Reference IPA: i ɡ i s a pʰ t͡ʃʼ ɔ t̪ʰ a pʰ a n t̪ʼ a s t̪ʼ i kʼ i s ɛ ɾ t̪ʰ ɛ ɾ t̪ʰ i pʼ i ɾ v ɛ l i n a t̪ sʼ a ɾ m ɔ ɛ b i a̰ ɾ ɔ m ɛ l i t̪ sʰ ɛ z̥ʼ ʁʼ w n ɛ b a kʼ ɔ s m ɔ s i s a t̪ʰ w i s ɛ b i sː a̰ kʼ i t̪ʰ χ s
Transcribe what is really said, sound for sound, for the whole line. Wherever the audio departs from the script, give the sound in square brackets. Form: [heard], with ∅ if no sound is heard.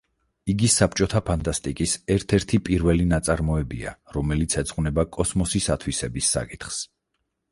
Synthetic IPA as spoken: i ɡ i s a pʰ t͡ʃʼ ɔ t̪ʰ a pʰ a n t̪ʼ a s t̪ʼ i kʼ i s ɛ ɾ t̪ʰ ɛ ɾ t̪ʰ i pʼ i ɾ v ɛ l i n a t̪ sʼ a ɾ m ɔ ɛ b i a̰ ɾ ɔ m ɛ l i t̪ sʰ ɛ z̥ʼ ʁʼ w n ɛ b a kʼ ɔ s m ɔ s i s a t̪ʰ w i s ɛ b i sː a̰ kʼ i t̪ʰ χ s

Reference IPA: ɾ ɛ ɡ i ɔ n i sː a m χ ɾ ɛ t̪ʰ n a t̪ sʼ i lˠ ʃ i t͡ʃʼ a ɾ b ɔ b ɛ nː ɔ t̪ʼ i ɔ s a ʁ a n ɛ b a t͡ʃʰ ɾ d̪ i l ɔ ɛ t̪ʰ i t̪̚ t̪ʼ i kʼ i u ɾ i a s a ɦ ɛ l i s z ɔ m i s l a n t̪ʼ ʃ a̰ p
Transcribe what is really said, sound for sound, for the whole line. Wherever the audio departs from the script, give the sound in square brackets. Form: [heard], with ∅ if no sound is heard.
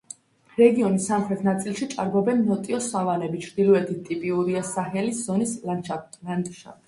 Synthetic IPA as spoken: ɾ ɛ ɡ i ɔ n i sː a m χ ɾ ɛ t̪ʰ n a t̪ sʼ i lˠ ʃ i t͡ʃʼ a ɾ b ɔ b ɛ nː ɔ t̪ʼ i ɔ s a [v] a n ɛ b [i] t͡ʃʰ ɾ d̪ i l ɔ ɛ t̪ʰ i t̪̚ t̪ʼ i [pʼ] i u ɾ i a s a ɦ ɛ l i s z ɔ [n] i s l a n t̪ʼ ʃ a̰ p

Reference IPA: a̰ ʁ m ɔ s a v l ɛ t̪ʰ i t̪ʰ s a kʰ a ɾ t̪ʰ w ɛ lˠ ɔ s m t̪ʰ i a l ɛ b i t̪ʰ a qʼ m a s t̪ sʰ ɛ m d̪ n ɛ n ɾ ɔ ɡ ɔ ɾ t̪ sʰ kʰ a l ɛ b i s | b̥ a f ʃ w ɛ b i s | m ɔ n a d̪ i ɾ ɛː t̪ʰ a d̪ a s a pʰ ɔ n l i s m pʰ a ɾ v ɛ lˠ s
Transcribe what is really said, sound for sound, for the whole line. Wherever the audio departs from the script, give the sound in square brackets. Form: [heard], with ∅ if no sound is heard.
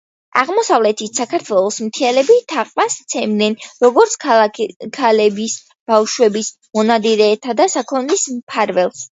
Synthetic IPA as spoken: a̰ ʁ m ɔ s a v l ɛ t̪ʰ i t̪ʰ s a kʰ a ɾ t̪ʰ w ɛ lˠ ɔ s m t̪ʰ i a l ɛ b i t̪ʰ a qʼ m a s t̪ sʰ ɛ m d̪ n ɛ n ɾ ɔ ɡ ɔ ɾ t̪ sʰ kʰ a l ɛ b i s | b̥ a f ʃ w ɛ b i s | m ɔ n a d̪ i ɾ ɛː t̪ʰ a d̪ a s a [kʰ] ɔ n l i s m pʰ a ɾ v ɛ lˠ s

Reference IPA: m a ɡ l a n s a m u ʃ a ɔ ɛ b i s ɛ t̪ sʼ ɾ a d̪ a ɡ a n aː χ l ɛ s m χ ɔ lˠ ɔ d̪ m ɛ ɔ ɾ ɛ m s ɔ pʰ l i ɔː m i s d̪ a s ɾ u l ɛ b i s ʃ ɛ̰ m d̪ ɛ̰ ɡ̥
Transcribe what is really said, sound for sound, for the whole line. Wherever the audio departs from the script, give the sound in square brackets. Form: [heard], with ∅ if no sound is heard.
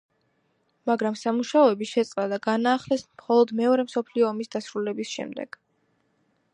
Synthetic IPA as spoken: m a ɡ [ɾ] a [m] s a m u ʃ a ɔ ɛ b i [ʃ] ɛ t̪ sʼ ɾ a d̪ a ɡ a n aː χ l ɛ s m χ ɔ lˠ ɔ d̪ m ɛ ɔ ɾ ɛ m s ɔ pʰ l i ɔː m i s d̪ a s ɾ u l ɛ b i s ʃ ɛ̰ m d̪ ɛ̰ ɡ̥

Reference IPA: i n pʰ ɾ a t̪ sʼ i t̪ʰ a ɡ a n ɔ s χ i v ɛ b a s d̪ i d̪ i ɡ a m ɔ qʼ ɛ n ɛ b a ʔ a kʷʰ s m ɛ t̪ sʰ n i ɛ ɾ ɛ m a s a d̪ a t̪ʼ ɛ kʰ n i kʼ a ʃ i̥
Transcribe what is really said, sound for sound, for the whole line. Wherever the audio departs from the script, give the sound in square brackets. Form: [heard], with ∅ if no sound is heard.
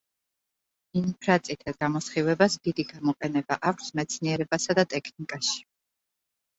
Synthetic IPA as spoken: i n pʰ ɾ a t̪ sʼ i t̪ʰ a ɡ a [m] ɔ s χ i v ɛ b a s d̪ i d̪ i ɡ a m ɔ qʼ ɛ n ɛ b a ʔ a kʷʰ s m ɛ t̪ sʰ n i ɛ ɾ ɛ [b] a s a d̪ a t̪ʼ ɛ kʰ n i kʼ a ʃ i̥

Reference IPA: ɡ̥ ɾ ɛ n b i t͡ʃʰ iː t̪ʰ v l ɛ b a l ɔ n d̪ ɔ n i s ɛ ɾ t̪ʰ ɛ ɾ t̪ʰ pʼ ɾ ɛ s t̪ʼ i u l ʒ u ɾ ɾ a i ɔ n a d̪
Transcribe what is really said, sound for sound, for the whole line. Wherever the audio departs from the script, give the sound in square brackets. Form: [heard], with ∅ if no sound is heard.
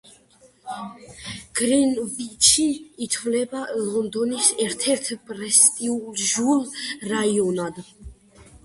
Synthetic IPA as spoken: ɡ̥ ɾ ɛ n b i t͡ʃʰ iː t̪ʰ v l ɛ b a l ɔ n d̪ ɔ n i s ɛ ɾ t̪ʰ ɛ ɾ t̪ʰ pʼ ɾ ɛ s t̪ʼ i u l ʒ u [l] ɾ a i ɔ n a d̪

